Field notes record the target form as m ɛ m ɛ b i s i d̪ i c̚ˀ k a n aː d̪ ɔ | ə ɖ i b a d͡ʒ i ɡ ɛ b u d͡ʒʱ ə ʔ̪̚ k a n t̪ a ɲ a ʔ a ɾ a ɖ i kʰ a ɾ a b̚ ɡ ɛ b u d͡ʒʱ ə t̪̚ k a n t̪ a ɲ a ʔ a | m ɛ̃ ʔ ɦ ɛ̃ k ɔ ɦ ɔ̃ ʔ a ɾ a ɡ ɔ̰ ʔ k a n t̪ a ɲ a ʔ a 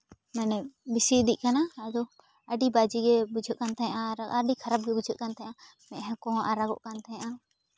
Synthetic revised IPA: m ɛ n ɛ b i s i d̪ i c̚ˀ k a n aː d̪ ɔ | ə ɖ i b a d͡ʒ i ɡ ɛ b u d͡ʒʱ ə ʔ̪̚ k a n t̪ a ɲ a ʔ a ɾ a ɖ i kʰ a ɾ a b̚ ɡ ɛ b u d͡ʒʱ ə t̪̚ k a n t̪ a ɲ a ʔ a | m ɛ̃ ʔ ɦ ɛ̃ k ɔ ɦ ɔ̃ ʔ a ɾ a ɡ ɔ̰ ʔ k a n t̪ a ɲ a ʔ a